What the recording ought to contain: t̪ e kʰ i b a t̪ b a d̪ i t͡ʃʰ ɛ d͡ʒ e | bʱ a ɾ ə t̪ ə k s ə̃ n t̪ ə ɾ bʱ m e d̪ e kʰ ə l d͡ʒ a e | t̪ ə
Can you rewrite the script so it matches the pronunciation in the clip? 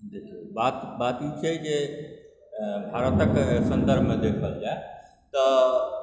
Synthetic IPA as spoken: d̪ e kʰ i b a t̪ b a t̪ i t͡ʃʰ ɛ d͡ʒ e | bʱ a ɾ ə t̪ ə k s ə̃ n d̪ ə ɾ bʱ m e d̪ e kʰ ə l d͡ʒ a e | t̪ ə